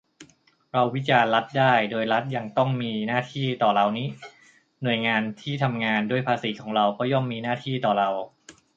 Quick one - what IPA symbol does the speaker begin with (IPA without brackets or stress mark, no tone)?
ɾ